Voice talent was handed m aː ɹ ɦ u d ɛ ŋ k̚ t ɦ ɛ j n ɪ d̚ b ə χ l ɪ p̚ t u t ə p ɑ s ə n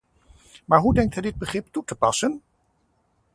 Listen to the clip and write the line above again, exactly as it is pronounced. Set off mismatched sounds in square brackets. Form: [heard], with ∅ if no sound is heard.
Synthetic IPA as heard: m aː ɹ ɦ u d ɛ ŋ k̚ t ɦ ɛ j [d] ɪ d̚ b ə χ [r] ɪ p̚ t u t ə p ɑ s ə n